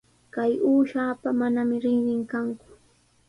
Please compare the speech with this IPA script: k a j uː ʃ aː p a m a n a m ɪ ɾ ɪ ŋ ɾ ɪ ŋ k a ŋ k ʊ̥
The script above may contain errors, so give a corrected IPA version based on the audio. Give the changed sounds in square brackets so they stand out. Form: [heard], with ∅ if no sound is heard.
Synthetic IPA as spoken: k a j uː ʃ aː p a m a n a m ɪ ɾ ɪ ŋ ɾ ɪ ŋ k a ŋ k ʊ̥